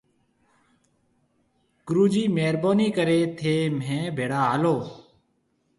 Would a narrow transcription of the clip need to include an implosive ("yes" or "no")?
no